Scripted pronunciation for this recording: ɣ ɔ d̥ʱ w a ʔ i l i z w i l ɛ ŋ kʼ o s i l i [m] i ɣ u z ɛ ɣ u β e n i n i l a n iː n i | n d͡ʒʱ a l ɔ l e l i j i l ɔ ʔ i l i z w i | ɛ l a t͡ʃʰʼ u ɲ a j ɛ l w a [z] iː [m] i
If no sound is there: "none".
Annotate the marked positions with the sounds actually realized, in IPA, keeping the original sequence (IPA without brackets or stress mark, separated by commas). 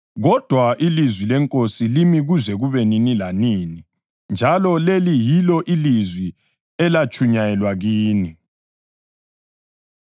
m, ɣ, n